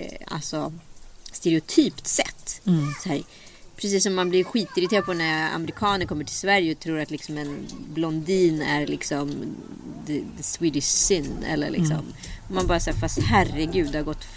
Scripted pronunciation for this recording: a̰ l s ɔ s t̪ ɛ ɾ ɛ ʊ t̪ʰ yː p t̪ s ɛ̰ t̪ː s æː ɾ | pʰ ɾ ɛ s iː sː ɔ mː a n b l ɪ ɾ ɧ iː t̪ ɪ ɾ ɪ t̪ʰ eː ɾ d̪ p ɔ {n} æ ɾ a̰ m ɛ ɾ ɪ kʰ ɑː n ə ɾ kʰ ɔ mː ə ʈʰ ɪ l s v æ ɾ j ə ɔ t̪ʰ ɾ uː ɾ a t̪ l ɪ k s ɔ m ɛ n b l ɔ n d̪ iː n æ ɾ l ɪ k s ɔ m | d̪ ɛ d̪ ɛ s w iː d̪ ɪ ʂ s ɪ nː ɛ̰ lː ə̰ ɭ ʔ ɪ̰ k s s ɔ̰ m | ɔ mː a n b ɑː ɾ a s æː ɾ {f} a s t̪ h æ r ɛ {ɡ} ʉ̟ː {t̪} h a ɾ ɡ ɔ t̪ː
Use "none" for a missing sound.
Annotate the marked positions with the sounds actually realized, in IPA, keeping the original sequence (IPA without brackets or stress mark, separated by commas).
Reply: n, f, ɡ, d̪